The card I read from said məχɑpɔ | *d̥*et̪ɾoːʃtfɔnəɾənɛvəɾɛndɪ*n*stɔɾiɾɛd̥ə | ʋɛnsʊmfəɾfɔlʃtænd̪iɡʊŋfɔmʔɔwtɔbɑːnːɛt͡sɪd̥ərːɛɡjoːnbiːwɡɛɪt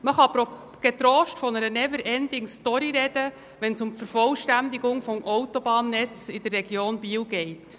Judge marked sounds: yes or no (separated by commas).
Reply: no, no